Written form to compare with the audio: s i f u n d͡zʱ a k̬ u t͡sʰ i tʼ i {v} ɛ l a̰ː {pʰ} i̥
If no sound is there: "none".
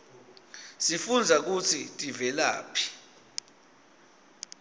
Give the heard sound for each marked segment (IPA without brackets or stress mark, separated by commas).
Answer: v, pʰ